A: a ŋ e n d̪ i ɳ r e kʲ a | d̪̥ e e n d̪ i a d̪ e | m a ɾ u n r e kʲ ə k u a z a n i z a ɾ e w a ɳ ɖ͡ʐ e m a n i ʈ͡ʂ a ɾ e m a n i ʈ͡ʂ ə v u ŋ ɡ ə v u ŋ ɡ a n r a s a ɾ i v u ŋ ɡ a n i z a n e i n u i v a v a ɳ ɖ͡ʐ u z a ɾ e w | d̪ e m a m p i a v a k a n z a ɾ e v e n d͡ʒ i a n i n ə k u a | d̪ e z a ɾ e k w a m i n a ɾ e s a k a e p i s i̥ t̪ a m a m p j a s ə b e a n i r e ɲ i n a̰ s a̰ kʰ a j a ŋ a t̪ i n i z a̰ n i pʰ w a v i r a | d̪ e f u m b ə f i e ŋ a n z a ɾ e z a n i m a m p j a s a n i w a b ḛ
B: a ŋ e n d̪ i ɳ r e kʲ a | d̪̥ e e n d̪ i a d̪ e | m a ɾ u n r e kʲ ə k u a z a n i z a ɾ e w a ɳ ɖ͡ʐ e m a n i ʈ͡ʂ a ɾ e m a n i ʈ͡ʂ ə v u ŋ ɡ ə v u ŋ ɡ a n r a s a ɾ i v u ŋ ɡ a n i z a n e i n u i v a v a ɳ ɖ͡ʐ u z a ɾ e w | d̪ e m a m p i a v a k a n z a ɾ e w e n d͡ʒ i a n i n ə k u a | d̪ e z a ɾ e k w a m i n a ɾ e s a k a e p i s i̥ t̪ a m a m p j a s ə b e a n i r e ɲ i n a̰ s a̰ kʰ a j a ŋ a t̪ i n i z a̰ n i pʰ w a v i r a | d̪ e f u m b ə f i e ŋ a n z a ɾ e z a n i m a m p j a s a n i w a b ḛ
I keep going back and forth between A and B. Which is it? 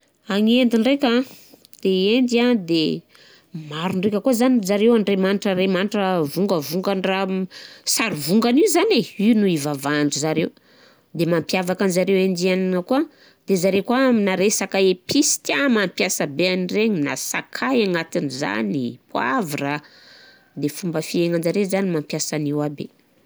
B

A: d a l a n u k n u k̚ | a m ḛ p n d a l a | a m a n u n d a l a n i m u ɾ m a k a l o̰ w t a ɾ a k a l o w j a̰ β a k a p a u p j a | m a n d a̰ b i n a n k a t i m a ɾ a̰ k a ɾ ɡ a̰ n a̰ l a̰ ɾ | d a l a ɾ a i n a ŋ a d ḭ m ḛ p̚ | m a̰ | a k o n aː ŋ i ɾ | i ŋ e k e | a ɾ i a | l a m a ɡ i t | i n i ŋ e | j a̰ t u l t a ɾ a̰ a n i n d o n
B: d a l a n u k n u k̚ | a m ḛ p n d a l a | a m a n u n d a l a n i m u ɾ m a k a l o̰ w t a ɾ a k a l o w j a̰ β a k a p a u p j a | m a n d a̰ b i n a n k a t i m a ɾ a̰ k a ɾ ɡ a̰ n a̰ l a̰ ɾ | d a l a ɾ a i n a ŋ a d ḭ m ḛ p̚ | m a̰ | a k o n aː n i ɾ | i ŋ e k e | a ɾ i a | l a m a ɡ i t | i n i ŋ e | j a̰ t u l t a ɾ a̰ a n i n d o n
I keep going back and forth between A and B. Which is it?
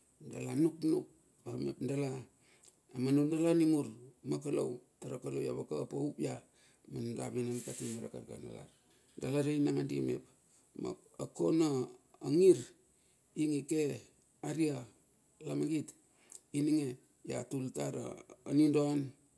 A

